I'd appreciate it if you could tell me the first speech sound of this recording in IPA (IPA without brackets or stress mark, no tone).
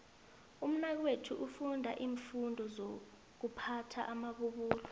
u